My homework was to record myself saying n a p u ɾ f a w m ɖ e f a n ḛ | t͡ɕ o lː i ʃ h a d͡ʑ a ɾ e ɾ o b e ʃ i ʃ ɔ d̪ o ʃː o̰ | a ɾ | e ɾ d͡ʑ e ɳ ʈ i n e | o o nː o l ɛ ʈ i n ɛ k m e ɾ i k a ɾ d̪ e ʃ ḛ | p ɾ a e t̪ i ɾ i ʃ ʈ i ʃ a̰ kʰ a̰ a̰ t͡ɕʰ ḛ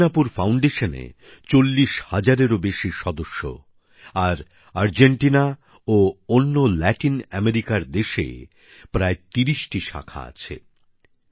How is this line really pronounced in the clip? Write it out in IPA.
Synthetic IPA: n a p u ɾ f a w ɳ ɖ e ʃ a n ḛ | t͡ɕ o lː i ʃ h a d͡ʑ a ɾ e ɾ o b e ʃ i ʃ ɔ d̪ o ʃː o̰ | a ɾ | a ɾ d͡ʑ e ɳ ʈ i n a | o o nː o l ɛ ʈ i n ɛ m e ɾ i k a ɾ d̪ e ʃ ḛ | p ɾ a e t̪ i ɾ i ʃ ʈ i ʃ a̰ kʰ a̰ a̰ t͡ɕʰ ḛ

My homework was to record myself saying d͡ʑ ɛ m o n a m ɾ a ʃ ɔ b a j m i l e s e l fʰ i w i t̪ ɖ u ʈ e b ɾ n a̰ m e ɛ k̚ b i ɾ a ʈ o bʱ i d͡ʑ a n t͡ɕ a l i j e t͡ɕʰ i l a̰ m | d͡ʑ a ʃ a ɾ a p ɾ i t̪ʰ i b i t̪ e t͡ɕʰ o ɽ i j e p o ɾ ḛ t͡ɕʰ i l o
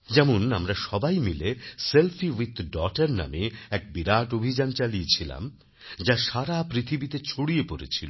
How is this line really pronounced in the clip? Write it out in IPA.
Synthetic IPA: d͡ʑ ɛ m o n a m ɾ a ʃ ɔ b a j m i l e s e l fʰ i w i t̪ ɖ ɔ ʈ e ɾ n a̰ m e ɛ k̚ b i ɾ a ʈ o bʱ i d͡ʑ a n t͡ɕ a l i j e t͡ɕʰ i l a̰ m | d͡ʑ a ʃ a ɾ a p ɾ i t̪ʰ i b i t̪ e t͡ɕʰ o ɽ i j e p o ɾ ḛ t͡ɕʰ i l o

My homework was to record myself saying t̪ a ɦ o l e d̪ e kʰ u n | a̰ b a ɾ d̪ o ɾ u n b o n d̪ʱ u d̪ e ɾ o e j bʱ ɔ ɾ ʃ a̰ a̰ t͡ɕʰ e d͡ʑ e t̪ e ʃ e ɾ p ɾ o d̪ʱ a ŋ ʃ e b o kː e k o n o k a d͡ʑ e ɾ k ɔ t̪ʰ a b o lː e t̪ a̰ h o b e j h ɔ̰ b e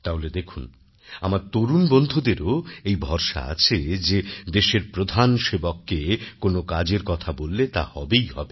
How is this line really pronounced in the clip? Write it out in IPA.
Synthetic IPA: t̪ a ɦ o l e d̪ e kʰ u n | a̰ m a ɾ t̪ o ɾ u n b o n d̪ʱ u d̪ e ɾ o e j bʱ ɔ ɾ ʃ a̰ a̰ t͡ɕʰ e d͡ʑ e d̪ e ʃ e ɾ p ɾ o d̪ʱ a n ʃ e b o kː e k o n o k a d͡ʑ e ɾ k ɔ t̪ʰ a b o lː e t̪ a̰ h ɔ b e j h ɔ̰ b e

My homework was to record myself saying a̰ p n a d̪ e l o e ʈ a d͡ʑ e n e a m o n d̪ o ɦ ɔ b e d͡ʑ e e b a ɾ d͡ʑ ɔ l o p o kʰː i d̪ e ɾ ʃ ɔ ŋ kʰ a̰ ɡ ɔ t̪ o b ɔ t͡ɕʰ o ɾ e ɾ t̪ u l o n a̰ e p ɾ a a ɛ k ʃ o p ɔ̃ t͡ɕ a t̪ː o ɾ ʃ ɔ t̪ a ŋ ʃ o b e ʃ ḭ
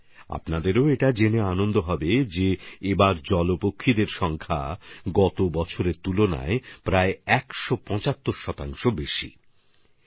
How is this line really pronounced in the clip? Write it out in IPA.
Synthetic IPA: a̰ p n a d̪ e ɾ o e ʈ a d͡ʑ e n e a n o n d̪ o ɦ ɔ b e d͡ʑ e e b a ɾ d͡ʑ ɔ l o p o kʰː i d̪ e ɾ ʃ ɔ ŋ kʰ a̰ ɡ ɔ t̪ o b ɔ t͡ɕʰ o ɾ e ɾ t̪ u l o n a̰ e p ɾ a e ɛ k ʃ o p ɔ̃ t͡ɕ a t̪ː o ɾ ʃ ɔ t̪ a ŋ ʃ o b e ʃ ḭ

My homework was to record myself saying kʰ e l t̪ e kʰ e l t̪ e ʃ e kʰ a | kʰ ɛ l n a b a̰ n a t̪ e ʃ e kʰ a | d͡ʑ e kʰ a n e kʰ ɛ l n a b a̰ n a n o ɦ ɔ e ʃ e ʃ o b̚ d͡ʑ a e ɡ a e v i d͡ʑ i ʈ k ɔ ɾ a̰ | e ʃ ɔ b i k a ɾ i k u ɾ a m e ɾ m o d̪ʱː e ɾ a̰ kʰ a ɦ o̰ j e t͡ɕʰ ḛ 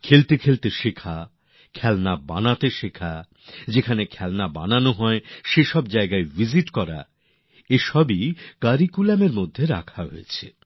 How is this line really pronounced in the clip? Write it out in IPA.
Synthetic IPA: kʰ e l t̪ e kʰ e l t̪ e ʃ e kʰ a | kʰ ɛ l n a b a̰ n a t̪ e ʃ e kʰ a | d͡ʑ e kʰ a n e kʰ ɛ l n a b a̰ n a n o ɦ ɔ e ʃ e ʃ ɔ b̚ d͡ʑ a e ɡ a e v i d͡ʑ i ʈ k ɔ ɾ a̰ | e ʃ ɔ b i k a ɾ i k u l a m e ɾ m o d̪ʱː e ɾ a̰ kʰ a ɦ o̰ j e t͡ɕʰ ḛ

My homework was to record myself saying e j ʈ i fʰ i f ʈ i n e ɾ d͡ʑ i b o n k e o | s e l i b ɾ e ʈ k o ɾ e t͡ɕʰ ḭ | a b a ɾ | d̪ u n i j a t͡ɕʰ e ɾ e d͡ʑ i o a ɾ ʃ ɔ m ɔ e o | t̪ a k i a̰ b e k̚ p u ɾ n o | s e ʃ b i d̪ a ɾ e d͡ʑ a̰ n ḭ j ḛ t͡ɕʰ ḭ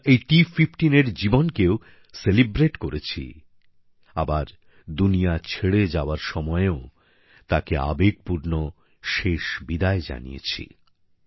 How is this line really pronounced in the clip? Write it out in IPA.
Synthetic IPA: e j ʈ i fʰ i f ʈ i n e ɾ d͡ʑ i b o n k e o | s e l i b ɾ e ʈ k o ɾ e t͡ɕʰ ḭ | a b a ɾ | d̪ u n i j a t͡ɕʰ e ɽ e d͡ʑ a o a ɾ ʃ ɔ m ɔ e o | t̪ a k e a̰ b e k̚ p u ɾ n o | ʃ e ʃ b i d̪ a e d͡ʑ a̰ n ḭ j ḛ t͡ɕʰ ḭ

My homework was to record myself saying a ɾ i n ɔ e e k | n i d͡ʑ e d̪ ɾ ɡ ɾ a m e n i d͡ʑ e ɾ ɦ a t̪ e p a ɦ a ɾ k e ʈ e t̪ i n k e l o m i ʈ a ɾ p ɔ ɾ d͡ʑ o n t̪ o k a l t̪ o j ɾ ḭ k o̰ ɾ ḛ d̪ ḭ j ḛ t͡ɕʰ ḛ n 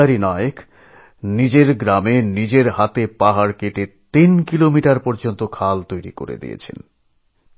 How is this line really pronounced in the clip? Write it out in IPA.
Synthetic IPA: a ɾ i n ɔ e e k | n i d͡ʑ e ɾ ɡ ɾ a m e n i d͡ʑ e ɾ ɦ a t̪ e p a ɦ a ɾ k e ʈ e t̪ i n k i l o m i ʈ a ɾ p ɔ ɾ d͡ʑ o n t̪ o kʰ a l t̪ o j ɾ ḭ k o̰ ɾ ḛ d̪ ḭ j ḛ t͡ɕʰ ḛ n

